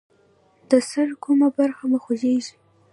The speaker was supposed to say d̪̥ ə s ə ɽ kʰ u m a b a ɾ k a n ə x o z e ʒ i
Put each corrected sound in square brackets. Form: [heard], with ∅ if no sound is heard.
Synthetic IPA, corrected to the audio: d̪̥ ə s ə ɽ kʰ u m a b a ɾ [x] a [m] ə x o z e ʒ i